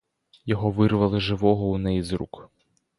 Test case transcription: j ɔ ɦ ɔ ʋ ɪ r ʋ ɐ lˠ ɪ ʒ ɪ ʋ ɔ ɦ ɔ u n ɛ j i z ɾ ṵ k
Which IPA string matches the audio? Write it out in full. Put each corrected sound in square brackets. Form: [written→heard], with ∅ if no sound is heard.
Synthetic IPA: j ɔ ɦ ɔ ʋ ɪ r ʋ ɐ lˠ ɪ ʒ ɪ ʋ ɔ ɦ ɔ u n ɛ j i z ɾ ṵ k

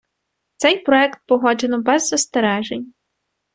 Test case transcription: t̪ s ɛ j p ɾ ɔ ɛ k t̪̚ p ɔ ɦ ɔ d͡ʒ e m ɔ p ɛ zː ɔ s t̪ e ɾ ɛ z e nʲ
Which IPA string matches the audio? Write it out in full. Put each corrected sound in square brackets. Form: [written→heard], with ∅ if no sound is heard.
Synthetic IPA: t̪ s ɛ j p ɾ ɔ ɛ k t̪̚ p ɔ ɦ ɔ d͡ʒ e [m→n] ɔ [p→b] ɛ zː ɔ s t̪ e ɾ ɛ [z→ʒ] e nʲ

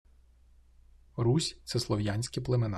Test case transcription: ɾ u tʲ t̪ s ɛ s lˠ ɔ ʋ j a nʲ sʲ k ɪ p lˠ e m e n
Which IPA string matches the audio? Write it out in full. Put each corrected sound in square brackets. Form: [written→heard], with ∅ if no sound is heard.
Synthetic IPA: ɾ u [tʲ→sʲ] t̪ s ɛ s lˠ ɔ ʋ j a nʲ sʲ k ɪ p lˠ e m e n

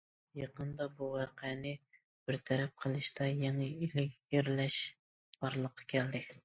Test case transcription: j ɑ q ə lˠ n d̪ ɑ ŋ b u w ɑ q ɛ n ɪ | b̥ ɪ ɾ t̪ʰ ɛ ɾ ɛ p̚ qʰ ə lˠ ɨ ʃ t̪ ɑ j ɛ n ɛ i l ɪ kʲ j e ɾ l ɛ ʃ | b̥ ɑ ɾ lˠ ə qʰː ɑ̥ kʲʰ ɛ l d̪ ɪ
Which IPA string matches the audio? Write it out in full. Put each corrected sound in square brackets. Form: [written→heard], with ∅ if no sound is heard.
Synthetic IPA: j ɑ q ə [lˠ→∅] n d̪ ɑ [ŋ→∅] b u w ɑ q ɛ n ɪ | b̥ ɪ ɾ t̪ʰ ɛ ɾ ɛ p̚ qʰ ə lˠ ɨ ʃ t̪ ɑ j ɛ [n→ŋ] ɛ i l ɪ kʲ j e ɾ l ɛ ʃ | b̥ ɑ ɾ lˠ ə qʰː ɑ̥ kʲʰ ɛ l d̪ ɪ

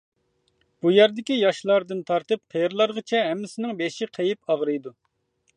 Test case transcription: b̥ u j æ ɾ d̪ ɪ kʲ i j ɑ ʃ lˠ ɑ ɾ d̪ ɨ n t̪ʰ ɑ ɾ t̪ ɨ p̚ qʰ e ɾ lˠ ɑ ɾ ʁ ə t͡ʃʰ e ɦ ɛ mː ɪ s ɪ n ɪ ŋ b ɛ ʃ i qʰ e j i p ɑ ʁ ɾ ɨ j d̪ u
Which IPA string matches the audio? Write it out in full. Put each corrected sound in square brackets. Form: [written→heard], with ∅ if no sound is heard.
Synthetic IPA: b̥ u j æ ɾ d̪ ɪ kʲ i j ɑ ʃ lˠ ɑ ɾ d̪ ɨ n t̪ʰ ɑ ɾ t̪ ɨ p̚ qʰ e ɾ lˠ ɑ ɾ ʁ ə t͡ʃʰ [e→ɛ] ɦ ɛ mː ɪ s ɪ n ɪ ŋ b [ɛ→e] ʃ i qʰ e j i p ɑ ʁ ɾ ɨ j d̪ u

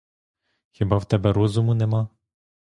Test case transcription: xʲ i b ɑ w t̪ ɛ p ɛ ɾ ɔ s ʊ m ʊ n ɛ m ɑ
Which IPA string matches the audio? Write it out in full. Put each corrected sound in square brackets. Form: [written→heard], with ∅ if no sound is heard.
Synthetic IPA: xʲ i b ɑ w t̪ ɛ [p→b] ɛ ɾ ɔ [s→z] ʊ m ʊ n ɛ m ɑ

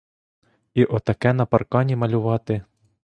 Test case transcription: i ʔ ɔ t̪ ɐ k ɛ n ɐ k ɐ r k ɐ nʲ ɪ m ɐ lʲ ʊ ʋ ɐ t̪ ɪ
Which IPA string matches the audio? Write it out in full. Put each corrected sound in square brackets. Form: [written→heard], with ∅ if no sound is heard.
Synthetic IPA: i ʔ ɔ t̪ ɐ k ɛ n ɐ [k→p] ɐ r k [ɐ→ɑ] nʲ [ɪ→i] m ɐ lʲ ʊ ʋ [ɐ→ɑ] t̪ ɪ

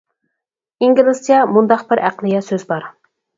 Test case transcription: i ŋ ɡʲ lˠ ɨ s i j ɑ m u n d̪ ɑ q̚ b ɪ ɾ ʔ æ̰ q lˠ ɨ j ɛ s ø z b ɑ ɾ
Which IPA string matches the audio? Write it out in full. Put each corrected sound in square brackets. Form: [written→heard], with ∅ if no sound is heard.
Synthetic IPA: i ŋ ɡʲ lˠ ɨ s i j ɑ m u n d̪ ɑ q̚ b ɪ ɾ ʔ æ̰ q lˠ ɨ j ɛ s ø z b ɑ ɾ

